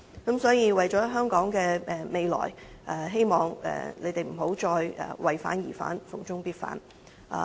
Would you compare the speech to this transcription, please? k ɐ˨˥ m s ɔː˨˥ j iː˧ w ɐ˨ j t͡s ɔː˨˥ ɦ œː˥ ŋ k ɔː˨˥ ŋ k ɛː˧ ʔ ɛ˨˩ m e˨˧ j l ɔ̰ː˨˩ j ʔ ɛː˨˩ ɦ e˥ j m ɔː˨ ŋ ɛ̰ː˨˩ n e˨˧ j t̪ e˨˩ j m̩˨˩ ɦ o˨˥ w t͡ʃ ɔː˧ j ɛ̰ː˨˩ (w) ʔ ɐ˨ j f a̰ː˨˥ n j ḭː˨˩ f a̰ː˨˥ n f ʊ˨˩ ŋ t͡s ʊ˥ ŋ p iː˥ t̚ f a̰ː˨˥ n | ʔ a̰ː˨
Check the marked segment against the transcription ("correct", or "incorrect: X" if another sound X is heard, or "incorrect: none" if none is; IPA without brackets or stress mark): correct